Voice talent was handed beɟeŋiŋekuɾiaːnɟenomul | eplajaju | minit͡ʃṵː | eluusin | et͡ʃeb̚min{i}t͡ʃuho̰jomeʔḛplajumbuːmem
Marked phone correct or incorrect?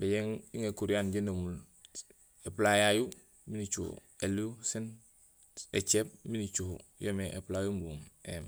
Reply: correct